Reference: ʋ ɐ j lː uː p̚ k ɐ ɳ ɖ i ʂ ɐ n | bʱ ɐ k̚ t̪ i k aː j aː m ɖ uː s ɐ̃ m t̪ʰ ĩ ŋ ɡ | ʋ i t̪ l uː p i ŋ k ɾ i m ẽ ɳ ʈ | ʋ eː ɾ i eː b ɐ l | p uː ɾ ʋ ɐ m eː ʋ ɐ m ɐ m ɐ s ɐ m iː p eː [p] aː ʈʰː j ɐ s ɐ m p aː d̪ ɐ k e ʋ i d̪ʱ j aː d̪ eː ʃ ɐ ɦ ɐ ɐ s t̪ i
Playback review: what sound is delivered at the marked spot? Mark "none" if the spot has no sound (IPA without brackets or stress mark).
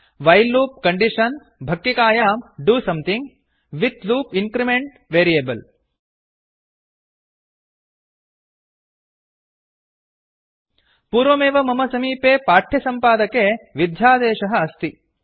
p